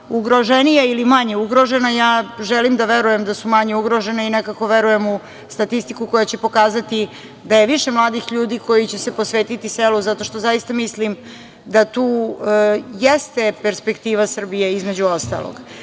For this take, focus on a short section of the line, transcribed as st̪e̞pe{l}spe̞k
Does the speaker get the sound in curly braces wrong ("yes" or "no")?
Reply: yes